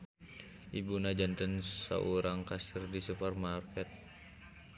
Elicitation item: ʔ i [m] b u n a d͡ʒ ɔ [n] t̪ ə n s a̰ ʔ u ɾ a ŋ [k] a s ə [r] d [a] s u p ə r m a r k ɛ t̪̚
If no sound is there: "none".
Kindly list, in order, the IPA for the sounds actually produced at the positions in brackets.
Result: none, n, k, r, i

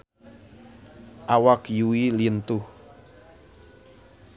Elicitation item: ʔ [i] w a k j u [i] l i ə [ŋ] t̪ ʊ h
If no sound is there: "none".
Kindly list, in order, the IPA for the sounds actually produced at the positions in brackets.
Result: a, i, n

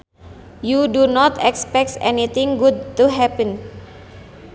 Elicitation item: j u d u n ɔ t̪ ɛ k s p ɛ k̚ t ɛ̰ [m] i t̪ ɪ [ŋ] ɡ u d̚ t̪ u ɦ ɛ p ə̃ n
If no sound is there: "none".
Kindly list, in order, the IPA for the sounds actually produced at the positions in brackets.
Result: n, ŋ

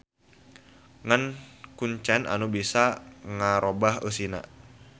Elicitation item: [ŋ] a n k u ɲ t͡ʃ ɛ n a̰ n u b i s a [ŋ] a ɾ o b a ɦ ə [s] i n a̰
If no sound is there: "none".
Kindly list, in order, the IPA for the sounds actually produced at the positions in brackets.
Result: ŋ, ŋ, s

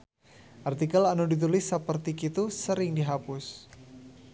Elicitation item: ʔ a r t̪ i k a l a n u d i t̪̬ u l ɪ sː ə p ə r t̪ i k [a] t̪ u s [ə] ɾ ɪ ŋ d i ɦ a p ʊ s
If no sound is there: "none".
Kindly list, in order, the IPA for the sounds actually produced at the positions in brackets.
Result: i, ə

